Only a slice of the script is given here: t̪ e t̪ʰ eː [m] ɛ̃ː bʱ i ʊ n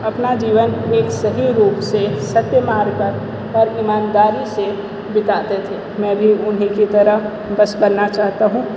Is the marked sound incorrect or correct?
correct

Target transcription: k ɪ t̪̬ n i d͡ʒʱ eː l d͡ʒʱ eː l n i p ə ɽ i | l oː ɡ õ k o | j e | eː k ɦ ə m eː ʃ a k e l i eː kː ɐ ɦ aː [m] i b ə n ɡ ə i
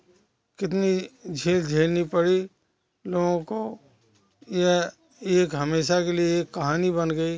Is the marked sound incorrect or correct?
incorrect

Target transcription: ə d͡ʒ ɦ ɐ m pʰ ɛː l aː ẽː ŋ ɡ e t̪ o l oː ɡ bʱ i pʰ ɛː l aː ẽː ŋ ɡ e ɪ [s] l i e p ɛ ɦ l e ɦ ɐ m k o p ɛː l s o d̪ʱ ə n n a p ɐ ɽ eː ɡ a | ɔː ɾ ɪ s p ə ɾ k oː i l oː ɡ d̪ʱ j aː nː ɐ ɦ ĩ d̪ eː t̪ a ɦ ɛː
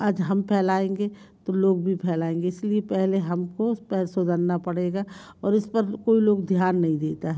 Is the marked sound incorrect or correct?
correct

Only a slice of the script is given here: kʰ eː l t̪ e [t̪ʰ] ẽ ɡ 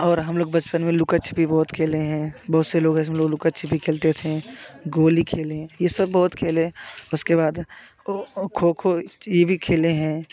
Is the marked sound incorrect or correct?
correct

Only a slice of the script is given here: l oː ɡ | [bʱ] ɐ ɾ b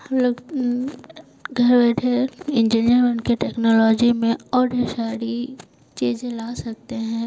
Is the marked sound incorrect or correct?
incorrect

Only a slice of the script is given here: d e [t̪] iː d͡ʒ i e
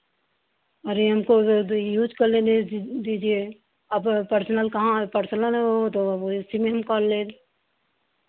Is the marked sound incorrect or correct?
incorrect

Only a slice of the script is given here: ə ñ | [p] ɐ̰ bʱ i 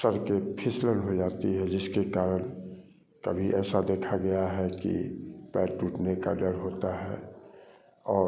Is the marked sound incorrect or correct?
incorrect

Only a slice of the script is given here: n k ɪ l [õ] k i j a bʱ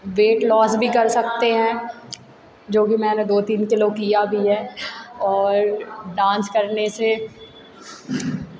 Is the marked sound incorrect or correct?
incorrect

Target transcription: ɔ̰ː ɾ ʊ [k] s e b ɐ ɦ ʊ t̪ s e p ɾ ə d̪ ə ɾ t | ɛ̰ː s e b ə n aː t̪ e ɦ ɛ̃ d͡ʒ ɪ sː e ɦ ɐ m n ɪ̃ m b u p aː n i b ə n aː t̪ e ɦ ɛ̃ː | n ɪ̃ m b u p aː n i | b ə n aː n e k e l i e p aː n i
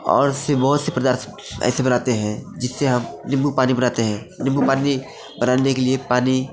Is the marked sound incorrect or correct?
incorrect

